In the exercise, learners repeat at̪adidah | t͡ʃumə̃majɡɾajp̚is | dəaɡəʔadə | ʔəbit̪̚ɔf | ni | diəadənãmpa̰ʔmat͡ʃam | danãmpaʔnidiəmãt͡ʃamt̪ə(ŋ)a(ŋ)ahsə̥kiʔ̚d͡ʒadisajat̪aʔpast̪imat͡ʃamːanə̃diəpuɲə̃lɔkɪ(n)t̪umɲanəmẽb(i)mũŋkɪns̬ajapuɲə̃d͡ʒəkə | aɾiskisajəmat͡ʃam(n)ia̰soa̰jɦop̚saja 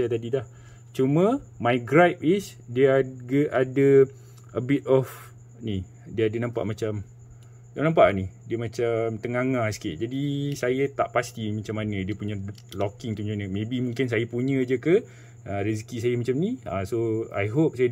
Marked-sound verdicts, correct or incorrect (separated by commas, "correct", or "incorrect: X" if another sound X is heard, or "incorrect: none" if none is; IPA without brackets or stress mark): correct, correct, incorrect: ŋ, correct, correct